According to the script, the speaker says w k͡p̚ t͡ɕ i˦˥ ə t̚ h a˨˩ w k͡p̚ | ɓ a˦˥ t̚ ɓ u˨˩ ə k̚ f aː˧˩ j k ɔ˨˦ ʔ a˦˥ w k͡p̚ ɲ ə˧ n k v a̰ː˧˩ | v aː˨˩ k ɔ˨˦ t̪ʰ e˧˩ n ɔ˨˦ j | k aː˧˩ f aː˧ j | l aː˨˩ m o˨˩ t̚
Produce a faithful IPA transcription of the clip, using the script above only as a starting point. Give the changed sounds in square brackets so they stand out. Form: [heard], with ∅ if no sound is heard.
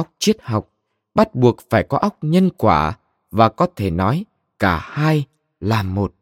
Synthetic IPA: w k͡p̚ t͡ɕ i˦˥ ə t̚ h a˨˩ w k͡p̚ | ɓ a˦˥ t̚ ɓ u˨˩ ə k̚ f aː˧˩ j k ɔ˨˦ ʔ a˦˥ w k͡p̚ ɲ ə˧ n k [w] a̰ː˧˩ | v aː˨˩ k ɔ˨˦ t̪ʰ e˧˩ n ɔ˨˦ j | k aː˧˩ [h] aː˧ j | l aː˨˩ m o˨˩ t̚